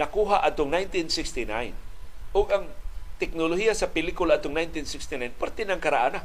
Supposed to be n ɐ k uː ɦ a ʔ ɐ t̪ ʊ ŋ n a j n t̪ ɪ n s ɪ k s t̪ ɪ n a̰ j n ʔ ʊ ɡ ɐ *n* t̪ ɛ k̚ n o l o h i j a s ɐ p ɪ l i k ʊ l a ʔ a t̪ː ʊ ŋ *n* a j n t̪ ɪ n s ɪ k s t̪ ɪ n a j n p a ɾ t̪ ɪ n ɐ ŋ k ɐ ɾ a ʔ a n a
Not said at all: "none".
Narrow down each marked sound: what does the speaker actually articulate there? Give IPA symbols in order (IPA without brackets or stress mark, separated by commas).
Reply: ŋ, n